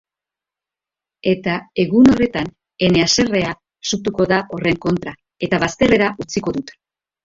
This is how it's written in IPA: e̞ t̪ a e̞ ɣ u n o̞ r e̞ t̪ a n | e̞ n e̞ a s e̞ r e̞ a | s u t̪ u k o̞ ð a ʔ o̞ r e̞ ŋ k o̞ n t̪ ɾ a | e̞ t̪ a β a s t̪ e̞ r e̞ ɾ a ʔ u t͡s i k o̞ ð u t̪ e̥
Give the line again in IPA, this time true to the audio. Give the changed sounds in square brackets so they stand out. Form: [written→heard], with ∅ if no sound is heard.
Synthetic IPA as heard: e̞ t̪ a e̞ ɣ u n o̞ r e̞ t̪ a n | e̞ n e̞ a s e̞ r e̞ a | s u t̪ u k o̞ ð a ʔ o̞ r e̞ ŋ k o̞ n t̪ ɾ a | e̞ t̪ a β a s t̪ e̞ r e̞ ɾ a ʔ u t͡s i k o̞ ð u t̪ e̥